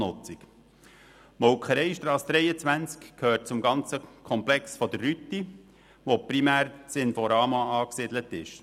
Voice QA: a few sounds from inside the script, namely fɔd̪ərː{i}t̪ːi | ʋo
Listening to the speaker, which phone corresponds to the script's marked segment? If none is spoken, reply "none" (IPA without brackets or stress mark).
y